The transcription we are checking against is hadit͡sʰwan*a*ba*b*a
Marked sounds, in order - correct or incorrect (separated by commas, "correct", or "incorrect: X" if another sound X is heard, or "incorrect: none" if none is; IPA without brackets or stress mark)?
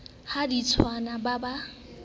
correct, correct